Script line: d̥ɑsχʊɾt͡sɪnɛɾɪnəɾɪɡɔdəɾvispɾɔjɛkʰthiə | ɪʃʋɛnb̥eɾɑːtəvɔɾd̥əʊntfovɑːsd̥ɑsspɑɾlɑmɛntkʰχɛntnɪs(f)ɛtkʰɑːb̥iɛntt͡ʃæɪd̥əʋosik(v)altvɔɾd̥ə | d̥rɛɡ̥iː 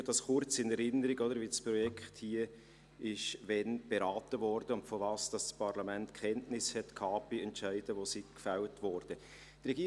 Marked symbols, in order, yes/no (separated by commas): no, no